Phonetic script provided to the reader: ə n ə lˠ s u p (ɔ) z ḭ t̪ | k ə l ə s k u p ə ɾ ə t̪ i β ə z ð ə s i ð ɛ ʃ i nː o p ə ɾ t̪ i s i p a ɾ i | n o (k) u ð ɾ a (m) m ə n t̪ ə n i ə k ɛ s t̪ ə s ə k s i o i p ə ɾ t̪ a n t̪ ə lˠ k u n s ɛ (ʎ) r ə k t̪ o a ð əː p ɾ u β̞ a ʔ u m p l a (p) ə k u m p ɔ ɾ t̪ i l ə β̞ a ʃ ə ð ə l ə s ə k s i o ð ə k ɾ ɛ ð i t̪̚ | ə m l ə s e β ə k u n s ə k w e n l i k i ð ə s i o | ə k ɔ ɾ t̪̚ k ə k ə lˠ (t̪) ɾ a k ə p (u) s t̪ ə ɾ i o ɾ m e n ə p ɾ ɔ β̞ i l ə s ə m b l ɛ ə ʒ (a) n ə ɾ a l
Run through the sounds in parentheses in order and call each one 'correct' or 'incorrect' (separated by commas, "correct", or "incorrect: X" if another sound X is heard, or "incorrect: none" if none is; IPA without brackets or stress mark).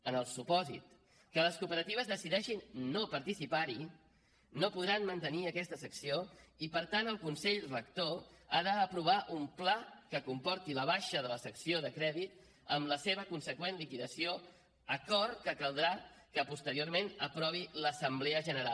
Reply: correct, incorrect: p, incorrect: n, correct, incorrect: k, incorrect: d̪, correct, incorrect: ə